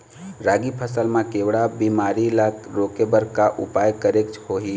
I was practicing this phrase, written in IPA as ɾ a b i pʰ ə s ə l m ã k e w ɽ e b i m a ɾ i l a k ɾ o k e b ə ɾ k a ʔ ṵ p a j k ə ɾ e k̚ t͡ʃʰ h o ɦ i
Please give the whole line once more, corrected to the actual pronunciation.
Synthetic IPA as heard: ɾ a ɡ i pʰ ə s ə l m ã k e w ɽ a b i m a ɾ i l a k ɾ o k e b ə ɾ k a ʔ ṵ p a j k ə ɾ e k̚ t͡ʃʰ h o ɦ i